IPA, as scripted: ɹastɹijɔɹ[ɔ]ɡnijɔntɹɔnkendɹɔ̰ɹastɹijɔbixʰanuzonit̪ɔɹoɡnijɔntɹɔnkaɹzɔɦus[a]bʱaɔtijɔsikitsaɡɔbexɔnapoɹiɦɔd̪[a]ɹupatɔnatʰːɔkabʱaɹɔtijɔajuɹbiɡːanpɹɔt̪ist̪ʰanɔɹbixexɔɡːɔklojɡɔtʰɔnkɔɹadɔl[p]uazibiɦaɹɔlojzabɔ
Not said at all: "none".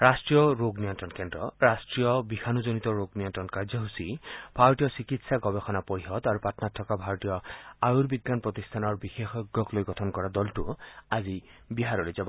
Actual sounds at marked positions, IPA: o, i, a, t

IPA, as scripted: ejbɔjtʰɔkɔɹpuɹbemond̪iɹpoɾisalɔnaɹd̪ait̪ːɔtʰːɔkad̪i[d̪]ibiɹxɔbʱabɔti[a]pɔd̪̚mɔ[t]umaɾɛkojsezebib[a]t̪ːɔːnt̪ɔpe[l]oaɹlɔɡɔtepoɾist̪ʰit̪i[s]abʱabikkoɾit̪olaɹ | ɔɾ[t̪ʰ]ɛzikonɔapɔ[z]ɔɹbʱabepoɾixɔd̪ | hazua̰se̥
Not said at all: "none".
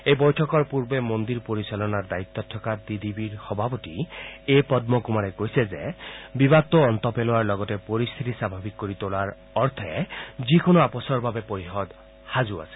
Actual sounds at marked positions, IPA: d̪, e, k, a, l, s, t̪ʰ, s

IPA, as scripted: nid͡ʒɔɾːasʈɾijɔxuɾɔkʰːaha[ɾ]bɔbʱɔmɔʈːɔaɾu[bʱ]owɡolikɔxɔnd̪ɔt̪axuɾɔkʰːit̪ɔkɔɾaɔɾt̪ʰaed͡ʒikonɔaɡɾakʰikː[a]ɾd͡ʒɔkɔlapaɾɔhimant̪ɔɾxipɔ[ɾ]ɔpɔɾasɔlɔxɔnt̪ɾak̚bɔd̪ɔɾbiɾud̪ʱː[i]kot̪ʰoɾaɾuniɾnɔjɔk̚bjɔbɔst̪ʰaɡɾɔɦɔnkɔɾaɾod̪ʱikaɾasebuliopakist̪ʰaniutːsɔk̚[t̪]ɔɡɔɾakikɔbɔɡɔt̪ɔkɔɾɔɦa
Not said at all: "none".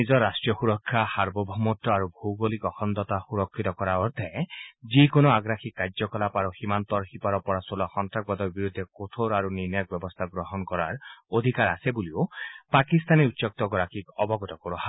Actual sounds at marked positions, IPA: ɾ, bʱ, a, ɾ, e, t̪

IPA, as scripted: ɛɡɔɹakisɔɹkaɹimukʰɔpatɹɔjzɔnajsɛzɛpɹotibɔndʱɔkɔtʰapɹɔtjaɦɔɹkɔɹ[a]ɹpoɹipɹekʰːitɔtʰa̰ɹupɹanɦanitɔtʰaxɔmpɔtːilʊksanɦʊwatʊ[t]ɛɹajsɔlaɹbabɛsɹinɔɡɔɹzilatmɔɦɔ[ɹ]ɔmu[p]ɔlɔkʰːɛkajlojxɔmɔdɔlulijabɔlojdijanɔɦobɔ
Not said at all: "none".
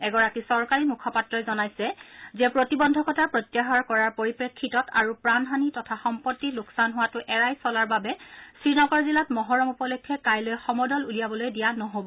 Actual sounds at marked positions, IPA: a, ʔ, ɹ, p

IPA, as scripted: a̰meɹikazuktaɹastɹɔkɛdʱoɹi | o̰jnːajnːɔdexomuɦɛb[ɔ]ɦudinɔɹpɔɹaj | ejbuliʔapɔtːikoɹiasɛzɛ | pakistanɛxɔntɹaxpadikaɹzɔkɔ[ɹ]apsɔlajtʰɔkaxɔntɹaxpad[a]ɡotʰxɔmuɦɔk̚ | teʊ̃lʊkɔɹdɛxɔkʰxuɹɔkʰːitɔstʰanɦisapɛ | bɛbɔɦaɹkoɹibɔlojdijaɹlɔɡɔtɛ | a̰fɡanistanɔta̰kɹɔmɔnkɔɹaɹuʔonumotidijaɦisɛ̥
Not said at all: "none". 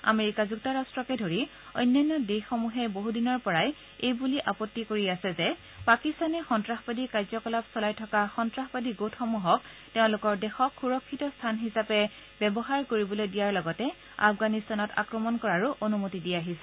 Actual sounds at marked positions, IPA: o, l, i

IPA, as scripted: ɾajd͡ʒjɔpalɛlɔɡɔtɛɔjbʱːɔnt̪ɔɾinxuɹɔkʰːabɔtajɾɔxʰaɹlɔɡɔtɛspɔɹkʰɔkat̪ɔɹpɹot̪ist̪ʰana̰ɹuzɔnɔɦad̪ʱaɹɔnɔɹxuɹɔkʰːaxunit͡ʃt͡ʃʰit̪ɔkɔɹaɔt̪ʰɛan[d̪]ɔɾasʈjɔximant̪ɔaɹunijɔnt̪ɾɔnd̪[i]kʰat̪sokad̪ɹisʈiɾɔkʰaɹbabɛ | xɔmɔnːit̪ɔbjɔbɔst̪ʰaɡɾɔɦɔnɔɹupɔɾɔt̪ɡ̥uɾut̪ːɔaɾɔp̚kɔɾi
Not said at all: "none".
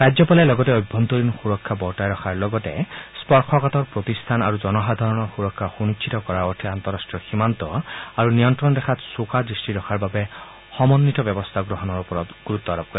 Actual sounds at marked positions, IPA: t̪, ɛ

